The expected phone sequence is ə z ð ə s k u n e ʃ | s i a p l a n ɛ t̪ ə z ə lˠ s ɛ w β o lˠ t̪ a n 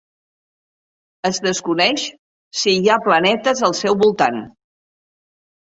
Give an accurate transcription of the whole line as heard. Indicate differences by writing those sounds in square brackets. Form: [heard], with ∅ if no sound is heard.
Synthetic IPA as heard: ə z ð ə s k u n [ɛ] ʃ | s i a p l [ə] n ɛ t̪ ə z ə lˠ s ɛ w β [u] lˠ t̪ a n